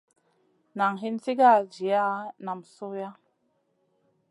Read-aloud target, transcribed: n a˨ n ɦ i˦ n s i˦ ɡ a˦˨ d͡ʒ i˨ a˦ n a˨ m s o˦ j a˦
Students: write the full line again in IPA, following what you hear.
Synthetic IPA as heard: n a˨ ŋ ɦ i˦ n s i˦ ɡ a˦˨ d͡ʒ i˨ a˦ n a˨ m s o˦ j a˦

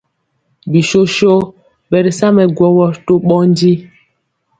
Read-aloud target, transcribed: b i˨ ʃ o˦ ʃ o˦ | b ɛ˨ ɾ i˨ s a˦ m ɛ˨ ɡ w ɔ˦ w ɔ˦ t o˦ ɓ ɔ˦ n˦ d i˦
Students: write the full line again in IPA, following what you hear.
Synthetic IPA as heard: b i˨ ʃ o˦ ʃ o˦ | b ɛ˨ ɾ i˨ s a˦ m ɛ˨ ɡ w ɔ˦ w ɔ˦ t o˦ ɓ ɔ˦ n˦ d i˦

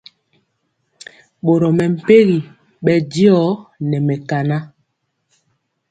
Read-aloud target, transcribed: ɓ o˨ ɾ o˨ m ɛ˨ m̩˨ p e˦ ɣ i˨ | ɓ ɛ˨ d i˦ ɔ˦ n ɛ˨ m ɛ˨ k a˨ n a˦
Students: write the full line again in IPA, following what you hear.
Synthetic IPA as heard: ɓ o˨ ɾ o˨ m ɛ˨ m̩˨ p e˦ ɣ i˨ | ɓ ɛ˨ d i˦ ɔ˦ n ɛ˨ m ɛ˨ k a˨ n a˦

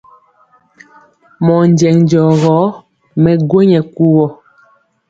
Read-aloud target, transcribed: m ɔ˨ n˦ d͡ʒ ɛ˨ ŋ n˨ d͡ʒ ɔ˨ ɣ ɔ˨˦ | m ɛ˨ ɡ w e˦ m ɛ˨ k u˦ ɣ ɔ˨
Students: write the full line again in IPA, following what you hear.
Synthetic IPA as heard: m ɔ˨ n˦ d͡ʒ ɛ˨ ŋ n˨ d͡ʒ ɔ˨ ɣ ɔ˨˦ | m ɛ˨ ɡ w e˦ ɲ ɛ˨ k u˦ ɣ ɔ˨

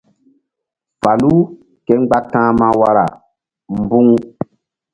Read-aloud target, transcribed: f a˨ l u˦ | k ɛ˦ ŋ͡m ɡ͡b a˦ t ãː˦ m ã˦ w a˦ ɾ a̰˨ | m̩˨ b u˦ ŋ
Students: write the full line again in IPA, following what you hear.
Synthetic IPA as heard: f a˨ l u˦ | k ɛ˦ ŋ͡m ɡ͡b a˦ t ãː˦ m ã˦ w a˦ ɾ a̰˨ | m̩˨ b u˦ ŋ

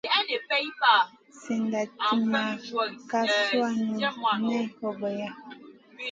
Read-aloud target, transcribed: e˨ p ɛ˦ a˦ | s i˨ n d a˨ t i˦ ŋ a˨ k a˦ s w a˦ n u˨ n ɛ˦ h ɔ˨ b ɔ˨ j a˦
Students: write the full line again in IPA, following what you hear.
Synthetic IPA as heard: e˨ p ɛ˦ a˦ | s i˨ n d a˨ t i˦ m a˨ k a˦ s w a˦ n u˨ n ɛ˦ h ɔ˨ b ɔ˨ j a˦

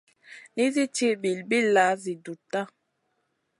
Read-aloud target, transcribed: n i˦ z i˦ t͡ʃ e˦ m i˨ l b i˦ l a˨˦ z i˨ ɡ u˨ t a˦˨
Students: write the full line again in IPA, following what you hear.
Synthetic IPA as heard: n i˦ z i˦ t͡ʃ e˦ b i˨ l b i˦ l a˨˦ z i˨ d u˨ t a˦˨

